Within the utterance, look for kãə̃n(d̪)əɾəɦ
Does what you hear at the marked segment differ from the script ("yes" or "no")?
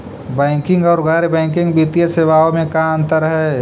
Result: yes